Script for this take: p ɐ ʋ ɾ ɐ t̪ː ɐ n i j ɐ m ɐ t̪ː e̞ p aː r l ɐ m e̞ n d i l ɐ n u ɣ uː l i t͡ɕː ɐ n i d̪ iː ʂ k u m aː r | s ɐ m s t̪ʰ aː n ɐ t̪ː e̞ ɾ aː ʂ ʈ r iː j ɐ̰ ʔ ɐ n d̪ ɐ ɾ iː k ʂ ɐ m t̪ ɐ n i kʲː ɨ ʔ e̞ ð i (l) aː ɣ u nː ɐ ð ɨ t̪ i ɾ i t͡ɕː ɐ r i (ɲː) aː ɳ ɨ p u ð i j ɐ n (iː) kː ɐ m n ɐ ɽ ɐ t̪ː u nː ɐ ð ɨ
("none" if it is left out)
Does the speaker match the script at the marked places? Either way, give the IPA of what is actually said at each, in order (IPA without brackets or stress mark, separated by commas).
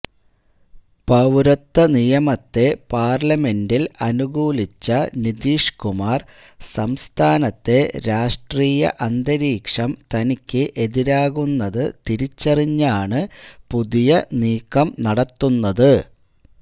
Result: ɾ, ɲː, iː